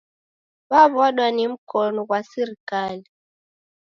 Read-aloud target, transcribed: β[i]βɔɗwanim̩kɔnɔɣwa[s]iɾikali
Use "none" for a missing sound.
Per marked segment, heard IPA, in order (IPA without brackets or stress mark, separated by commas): a, s